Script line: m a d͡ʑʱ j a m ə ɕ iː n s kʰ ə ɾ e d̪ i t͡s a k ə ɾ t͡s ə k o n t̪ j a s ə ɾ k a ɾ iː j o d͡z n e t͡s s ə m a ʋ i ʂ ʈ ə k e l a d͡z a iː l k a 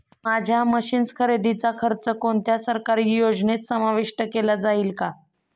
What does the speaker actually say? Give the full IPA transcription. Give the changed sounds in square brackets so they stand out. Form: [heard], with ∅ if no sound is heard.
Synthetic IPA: m a d͡ʑʱ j a m ə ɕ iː n s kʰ ə ɾ e d̪ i t͡s a [kʰ] ə ɾ t͡s ə k o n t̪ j a s ə ɾ k a ɾ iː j o d͡z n e t͡s s ə m a ʋ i ʂ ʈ ə k e l a d͡z a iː l k a

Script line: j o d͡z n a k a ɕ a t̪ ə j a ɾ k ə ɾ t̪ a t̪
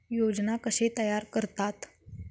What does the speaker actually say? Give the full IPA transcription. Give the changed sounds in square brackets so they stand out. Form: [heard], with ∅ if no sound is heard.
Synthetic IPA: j o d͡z n a k [ə] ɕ [e] t̪ ə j a ɾ k ə ɾ t̪ a t̪

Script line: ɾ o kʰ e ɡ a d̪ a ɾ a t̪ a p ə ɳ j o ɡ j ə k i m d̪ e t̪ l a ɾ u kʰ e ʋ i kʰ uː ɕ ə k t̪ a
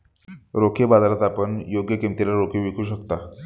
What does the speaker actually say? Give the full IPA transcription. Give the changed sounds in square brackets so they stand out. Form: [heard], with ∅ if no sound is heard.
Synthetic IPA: ɾ o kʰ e [b] a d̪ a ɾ a t̪ a p ə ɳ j o ɡ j ə k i m [t̪] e [∅] l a ɾ [o] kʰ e ʋ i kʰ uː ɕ ə k t̪ a

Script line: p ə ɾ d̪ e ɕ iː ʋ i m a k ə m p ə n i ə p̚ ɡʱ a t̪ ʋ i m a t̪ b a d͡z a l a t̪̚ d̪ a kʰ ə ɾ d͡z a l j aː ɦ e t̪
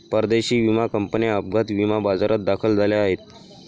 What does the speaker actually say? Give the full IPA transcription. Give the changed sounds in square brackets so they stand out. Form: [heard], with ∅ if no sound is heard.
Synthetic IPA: p ə ɾ d̪ e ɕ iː ʋ i m a k ə m p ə n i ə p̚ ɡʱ a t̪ ʋ i m a [∅] b a d͡z a [ɾ] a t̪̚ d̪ a kʰ ə [l] d͡z a l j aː ɦ e t̪

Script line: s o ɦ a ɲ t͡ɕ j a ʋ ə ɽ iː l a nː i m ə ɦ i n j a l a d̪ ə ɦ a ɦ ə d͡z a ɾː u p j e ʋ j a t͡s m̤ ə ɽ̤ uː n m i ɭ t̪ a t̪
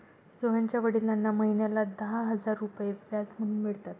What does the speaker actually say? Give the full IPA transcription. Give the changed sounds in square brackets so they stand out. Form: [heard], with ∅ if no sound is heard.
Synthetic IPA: s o ɦ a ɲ t͡ɕ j a ʋ ə ɽ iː l a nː [a] m ə ɦ i n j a l a d̪ ə ɦ a ɦ ə d͡z a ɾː u p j e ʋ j a t͡s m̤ ə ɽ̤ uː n m i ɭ t̪ a t̪

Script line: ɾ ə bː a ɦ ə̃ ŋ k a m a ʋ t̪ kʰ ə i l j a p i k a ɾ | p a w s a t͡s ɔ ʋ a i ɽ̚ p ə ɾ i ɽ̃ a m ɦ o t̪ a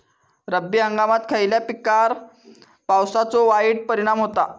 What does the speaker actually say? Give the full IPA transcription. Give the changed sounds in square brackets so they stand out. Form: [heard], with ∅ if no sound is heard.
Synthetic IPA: ɾ ə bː [i] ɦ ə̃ ŋ [ɡ] a m a [∅] t̪ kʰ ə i l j a p i k a ɾ | p a w s a t͡s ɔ ʋ a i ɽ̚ p ə ɾ i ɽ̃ a m ɦ o t̪ a

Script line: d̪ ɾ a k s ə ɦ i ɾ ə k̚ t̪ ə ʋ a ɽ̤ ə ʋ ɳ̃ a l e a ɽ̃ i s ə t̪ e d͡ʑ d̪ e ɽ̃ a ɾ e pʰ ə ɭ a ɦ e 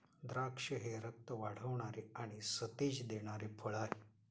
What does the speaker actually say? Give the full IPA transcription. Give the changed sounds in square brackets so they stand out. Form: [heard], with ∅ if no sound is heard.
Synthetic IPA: d̪ ɾ a k [ʂ] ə ɦ [e] ɾ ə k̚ t̪ ə ʋ a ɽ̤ ə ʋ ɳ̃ a [ɾ] e a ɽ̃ i s ə t̪ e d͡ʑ d̪ e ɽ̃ a ɾ e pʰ ə ɭ a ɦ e

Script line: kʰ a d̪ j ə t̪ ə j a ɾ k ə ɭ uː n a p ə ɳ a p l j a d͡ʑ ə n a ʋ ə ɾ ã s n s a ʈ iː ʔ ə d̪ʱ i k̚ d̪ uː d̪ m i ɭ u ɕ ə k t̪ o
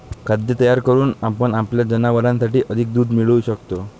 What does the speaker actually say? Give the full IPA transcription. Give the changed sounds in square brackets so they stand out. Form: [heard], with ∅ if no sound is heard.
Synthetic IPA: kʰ a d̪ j ə t̪ ə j a ɾ k ə [ɾ] uː n a p ə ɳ a p l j a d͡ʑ ə n a ʋ ə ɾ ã [∅] n s a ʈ iː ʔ ə d̪ʱ i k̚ d̪ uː d̪ m i ɭ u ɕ ə k t̪ o

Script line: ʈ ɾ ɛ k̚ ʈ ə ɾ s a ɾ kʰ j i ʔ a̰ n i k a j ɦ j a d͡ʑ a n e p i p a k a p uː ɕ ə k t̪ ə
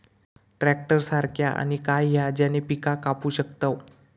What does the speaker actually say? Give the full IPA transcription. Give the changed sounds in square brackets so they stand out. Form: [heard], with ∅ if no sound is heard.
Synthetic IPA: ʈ ɾ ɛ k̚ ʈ ə ɾ s a ɾ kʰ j [a] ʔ a̰ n i k a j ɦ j a d͡ʑ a n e p i [k] a k a p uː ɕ ə k t̪ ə

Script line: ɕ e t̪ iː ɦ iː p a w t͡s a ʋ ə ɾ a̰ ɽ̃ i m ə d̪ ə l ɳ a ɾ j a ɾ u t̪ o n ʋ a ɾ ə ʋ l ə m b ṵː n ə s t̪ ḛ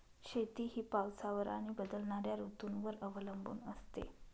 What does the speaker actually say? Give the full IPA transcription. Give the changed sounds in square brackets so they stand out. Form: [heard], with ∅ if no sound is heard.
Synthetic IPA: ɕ e t̪ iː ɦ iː p a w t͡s a ʋ ə ɾ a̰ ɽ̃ i [b] ə d̪ ə l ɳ a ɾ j a ɾ u t̪ [u] n ʋ [ə] ɾ ə ʋ l ə m b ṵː n ə s t̪ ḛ

